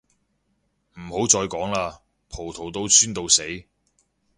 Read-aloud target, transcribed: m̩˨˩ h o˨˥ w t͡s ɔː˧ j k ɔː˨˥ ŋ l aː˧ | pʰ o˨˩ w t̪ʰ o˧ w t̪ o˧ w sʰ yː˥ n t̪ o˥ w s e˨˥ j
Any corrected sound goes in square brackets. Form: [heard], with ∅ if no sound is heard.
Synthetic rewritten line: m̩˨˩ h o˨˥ w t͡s ɔː˧ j k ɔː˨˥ ŋ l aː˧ | pʰ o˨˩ w t̪ʰ [o˨˩] w t̪ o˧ w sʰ yː˥ n t̪ [o˧] w s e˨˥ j